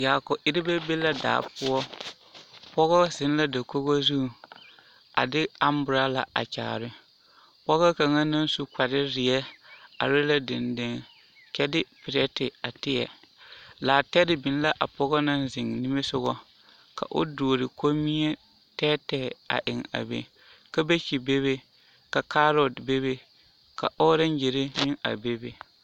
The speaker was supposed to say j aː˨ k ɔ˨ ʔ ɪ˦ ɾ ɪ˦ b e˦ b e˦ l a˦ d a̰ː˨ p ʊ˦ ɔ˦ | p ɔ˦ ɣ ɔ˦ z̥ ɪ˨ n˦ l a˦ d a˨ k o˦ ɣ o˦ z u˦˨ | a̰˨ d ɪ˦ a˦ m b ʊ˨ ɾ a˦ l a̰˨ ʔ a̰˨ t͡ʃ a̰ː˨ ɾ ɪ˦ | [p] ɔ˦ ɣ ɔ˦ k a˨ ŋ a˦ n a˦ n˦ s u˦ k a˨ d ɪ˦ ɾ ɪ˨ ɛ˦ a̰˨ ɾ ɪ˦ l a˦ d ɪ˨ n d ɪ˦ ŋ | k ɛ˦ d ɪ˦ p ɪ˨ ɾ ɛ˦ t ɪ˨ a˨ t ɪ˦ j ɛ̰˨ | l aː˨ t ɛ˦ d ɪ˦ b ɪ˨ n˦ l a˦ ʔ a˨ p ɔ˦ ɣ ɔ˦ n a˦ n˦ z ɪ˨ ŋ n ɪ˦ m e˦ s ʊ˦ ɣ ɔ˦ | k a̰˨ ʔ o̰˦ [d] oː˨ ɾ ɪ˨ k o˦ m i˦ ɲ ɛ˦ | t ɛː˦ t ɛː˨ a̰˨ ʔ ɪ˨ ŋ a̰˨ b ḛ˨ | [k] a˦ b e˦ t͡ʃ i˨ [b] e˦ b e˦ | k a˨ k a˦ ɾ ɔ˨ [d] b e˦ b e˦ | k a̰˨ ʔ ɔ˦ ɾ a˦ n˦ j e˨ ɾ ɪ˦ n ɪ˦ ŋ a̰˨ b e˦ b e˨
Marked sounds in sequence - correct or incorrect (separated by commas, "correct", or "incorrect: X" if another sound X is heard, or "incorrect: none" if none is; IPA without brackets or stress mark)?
correct, correct, correct, correct, correct